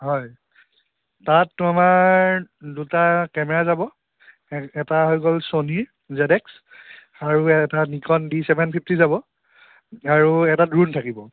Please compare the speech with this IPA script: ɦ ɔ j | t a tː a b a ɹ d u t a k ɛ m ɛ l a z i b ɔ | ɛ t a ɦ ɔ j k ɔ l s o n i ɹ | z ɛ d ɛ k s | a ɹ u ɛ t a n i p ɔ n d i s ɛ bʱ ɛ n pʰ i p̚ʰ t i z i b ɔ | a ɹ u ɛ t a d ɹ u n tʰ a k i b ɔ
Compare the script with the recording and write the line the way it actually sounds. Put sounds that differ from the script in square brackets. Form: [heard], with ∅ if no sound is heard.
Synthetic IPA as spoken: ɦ ɔ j | t a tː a [m] a ɹ d u t a k ɛ m ɛ [ɹ] a z [a] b ɔ | ɛ t a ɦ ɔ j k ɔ l s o n i ɹ | z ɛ d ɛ k s | a ɹ u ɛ t a n i [k] ɔ n d i s ɛ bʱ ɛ n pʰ i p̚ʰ t i z [a] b ɔ | a ɹ u ɛ t a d ɹ u n tʰ a k i b ɔ